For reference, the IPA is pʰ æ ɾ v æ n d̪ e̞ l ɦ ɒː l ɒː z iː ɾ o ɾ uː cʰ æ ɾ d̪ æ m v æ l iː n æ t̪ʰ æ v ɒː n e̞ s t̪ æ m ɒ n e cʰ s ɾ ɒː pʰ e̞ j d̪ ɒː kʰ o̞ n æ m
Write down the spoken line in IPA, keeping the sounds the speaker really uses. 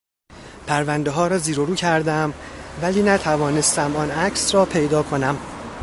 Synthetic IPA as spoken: pʰ æ ɾ v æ n d̪ e̞ ɦ ɒː ɾ ɒː z iː ɾ o ɾ uː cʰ æ ɾ d̪ æ m v æ l iː n æ t̪ʰ æ v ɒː n e̞ s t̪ æ m ɒ n æ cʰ s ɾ ɒː pʰ e̞ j d̪ ɒː kʰ o̞ n æ m